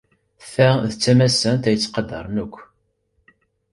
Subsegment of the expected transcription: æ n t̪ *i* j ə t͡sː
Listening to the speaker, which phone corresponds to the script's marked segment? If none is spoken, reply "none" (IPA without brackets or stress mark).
æ